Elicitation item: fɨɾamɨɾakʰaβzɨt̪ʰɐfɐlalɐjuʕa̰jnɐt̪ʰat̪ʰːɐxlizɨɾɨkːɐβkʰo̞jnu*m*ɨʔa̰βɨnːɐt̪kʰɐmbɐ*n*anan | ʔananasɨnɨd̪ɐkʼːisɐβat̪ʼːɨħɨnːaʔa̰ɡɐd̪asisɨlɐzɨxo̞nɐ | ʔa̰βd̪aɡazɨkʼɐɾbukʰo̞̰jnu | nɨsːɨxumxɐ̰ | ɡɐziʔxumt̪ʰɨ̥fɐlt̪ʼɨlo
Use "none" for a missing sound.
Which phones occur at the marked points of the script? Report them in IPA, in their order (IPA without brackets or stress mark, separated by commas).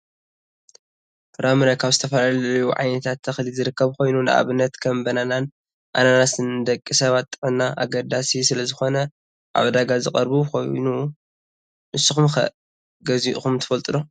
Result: n, n